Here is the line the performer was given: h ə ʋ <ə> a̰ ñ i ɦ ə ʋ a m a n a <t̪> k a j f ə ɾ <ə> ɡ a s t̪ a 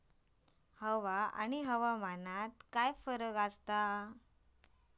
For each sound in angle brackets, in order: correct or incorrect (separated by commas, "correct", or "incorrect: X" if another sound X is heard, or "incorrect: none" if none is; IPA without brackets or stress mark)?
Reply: incorrect: a, correct, correct